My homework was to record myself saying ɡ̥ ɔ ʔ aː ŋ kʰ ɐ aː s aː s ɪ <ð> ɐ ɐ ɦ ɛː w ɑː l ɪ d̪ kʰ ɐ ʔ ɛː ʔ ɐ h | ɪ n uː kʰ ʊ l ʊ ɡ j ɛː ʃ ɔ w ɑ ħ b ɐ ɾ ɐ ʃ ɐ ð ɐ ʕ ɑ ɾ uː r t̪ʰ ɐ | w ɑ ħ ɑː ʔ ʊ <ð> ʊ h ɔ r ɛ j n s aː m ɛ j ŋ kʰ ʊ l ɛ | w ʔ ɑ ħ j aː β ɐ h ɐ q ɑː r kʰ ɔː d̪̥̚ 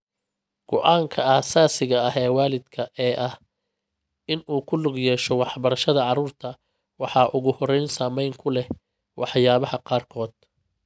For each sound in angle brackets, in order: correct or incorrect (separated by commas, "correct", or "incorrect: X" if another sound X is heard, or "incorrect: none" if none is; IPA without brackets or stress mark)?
incorrect: ɣ, incorrect: ɣ